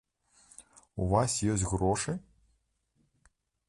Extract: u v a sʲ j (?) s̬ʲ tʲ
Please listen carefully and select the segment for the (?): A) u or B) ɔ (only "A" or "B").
B